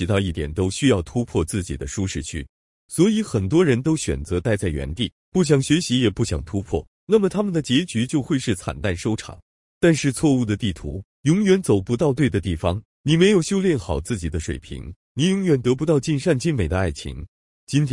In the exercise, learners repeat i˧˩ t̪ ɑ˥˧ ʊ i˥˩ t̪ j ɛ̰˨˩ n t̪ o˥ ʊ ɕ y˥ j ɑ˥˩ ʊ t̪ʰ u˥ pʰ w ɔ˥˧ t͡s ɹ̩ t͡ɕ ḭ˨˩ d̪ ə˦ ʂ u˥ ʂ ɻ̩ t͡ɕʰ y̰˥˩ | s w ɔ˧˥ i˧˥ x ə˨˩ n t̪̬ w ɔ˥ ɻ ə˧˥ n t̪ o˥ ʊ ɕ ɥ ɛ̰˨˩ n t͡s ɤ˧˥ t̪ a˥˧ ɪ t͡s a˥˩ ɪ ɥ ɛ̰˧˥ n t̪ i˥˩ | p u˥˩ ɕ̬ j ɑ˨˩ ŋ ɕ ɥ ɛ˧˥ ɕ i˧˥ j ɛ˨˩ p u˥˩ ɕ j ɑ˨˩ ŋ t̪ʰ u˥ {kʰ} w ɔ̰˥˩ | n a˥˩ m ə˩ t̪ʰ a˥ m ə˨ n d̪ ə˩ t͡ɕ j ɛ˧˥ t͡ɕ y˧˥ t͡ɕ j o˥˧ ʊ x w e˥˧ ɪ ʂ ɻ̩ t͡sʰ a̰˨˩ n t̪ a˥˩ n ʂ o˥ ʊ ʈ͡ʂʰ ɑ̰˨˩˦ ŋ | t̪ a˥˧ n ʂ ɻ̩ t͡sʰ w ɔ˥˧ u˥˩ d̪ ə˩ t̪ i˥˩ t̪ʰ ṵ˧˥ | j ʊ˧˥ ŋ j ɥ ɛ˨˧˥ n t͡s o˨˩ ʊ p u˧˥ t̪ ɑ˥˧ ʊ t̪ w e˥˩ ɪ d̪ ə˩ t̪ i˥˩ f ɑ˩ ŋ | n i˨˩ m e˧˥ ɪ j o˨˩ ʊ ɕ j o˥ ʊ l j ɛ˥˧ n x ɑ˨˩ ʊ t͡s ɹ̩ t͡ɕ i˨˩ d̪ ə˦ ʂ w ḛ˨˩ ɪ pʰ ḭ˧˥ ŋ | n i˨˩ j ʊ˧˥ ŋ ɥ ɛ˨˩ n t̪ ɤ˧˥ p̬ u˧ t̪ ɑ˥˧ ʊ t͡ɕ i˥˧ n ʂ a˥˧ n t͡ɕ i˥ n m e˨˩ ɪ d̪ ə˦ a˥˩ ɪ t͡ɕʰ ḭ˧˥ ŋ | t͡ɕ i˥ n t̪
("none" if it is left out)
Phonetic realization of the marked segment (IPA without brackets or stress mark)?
pʰ